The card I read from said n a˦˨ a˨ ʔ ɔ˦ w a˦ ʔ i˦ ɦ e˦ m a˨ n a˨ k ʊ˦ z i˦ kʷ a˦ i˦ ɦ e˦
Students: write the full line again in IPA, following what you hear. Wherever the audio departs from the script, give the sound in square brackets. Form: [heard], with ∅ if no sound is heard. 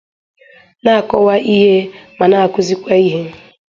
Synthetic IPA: n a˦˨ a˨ [k] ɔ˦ w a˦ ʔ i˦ ɦ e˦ m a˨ n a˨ k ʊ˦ z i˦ kʷ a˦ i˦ ɦ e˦